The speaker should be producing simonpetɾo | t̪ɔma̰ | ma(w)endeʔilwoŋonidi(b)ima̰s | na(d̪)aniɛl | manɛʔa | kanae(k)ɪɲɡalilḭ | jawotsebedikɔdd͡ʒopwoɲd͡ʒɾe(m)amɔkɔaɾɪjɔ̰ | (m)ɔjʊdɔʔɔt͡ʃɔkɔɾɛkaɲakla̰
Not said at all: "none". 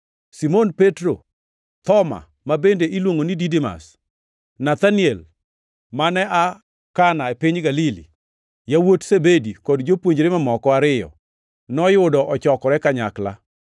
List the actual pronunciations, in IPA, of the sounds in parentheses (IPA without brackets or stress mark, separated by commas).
b, d, t̪, p, m, n